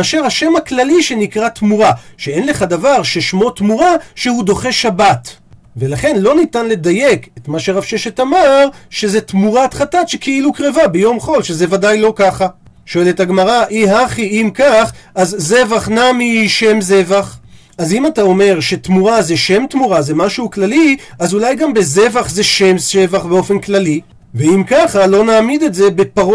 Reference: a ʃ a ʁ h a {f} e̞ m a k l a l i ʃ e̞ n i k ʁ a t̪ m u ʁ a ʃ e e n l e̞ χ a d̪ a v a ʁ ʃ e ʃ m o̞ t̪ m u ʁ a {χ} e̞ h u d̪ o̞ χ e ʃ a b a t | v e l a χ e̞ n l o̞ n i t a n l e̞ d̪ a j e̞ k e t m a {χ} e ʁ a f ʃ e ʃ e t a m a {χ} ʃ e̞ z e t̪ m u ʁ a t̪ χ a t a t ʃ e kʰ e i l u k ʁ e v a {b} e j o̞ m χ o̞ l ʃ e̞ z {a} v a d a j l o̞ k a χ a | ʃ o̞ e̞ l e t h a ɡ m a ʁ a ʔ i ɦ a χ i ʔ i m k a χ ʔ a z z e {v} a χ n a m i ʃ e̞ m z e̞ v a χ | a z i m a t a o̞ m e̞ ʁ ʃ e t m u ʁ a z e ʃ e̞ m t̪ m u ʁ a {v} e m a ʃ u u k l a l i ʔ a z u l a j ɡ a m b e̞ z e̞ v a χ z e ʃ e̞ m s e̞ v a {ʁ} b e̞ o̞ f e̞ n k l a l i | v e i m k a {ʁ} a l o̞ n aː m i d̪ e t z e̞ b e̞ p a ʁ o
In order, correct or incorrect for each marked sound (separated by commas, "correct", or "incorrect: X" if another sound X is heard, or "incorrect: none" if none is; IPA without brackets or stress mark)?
incorrect: ʃ, incorrect: ʃ, incorrect: ʃ, incorrect: ʁ, correct, incorrect: e, correct, incorrect: z, incorrect: χ, incorrect: χ